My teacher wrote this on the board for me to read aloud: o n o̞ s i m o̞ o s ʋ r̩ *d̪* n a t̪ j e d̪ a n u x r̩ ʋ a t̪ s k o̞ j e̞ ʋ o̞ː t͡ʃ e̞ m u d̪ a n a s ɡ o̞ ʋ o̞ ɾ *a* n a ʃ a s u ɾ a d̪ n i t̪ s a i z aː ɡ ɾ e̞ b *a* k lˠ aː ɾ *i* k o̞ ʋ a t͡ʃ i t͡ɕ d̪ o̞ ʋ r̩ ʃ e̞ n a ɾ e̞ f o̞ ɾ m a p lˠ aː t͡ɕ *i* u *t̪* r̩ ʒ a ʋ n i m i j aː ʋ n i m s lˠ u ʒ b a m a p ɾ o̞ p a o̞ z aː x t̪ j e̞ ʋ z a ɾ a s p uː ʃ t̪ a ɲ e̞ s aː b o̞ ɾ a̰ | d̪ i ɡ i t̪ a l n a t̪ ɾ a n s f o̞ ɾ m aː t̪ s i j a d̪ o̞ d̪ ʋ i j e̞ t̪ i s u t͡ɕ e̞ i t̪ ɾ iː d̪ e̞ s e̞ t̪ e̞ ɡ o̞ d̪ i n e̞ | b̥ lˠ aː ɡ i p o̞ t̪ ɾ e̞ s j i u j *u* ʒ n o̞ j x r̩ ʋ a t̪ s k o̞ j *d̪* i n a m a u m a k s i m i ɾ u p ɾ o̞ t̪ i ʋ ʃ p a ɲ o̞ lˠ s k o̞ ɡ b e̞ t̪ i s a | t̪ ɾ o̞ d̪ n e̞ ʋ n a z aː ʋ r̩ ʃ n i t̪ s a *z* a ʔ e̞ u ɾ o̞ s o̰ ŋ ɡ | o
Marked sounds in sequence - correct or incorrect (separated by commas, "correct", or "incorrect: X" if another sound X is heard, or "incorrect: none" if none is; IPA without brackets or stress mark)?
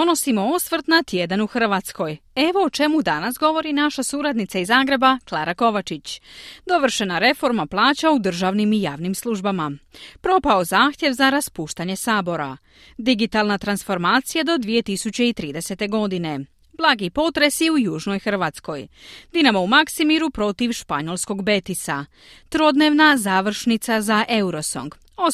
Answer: incorrect: t̪, incorrect: i, correct, incorrect: a, incorrect: a, incorrect: d̪, incorrect: uː, correct, correct